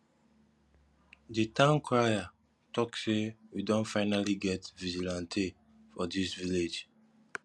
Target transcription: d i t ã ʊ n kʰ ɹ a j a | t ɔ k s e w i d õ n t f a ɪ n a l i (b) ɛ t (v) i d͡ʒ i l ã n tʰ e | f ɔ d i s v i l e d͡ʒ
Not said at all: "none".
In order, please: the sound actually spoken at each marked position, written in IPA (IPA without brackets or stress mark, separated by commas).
ɡ, v